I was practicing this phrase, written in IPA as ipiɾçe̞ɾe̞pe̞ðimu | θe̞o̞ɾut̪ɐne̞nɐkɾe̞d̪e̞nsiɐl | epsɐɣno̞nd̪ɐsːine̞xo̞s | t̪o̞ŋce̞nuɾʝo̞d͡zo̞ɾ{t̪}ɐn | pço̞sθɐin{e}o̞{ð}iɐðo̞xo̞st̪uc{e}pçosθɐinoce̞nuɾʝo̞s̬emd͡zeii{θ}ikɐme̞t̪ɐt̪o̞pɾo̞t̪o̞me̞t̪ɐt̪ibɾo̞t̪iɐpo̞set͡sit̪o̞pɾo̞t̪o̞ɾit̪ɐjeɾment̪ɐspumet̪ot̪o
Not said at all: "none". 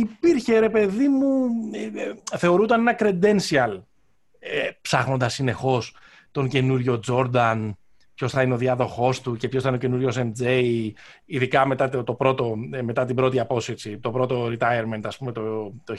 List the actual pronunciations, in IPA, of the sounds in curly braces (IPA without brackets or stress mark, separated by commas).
d̪, e, ð, e, ð